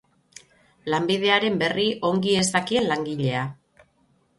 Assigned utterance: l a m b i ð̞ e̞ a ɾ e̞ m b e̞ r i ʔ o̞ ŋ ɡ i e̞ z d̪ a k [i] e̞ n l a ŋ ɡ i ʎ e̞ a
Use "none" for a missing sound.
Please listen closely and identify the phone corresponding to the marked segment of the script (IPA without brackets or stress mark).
i